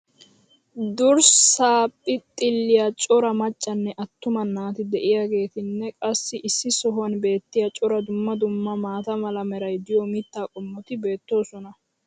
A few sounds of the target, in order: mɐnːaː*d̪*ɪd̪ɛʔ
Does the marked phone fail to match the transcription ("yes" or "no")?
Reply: yes